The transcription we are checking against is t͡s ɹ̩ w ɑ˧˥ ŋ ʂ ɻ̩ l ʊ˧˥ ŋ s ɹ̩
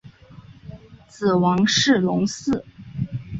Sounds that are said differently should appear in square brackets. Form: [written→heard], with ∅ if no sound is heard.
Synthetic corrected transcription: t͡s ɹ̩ w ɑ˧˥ ŋ ʂ ɻ̩ l ʊ˧˥ ŋ s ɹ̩